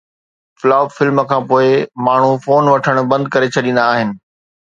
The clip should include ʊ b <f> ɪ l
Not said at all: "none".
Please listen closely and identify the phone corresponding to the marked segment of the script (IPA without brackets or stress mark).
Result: f